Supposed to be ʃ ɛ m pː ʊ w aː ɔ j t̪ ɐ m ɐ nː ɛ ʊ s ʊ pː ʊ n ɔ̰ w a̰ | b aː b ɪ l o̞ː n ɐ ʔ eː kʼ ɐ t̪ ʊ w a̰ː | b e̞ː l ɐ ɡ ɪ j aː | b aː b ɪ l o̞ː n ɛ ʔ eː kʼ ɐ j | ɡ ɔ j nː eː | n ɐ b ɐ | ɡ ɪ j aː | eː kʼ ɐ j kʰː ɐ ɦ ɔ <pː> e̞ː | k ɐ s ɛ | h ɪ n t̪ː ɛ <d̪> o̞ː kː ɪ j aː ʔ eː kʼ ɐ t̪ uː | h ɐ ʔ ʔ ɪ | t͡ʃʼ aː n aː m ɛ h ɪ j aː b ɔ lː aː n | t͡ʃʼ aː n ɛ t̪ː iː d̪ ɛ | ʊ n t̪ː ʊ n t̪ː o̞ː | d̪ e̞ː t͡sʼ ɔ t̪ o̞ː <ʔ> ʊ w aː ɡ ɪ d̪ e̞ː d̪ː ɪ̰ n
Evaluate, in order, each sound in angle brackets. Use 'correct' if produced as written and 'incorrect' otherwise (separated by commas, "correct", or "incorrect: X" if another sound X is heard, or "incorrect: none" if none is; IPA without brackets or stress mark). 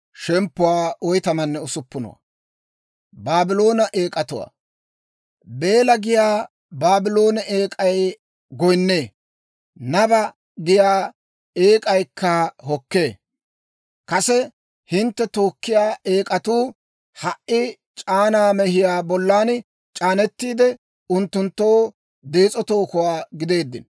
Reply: incorrect: kː, incorrect: t̪, incorrect: k